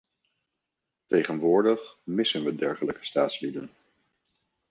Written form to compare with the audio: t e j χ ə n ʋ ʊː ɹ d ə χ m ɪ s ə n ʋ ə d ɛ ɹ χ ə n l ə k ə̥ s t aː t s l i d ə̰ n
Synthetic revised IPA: t e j χ ə n ʋ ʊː ɹ d ə χ m ɪ s ə n ʋ ə d ɛ ɹ χ ə l ə k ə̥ s t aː t s l i d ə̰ n